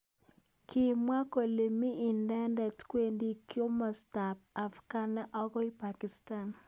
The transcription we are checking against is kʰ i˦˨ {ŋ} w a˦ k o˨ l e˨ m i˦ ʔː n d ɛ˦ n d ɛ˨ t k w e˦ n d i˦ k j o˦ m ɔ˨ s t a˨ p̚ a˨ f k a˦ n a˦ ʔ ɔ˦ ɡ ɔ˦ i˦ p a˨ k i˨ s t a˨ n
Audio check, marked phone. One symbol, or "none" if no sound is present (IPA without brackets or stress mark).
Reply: m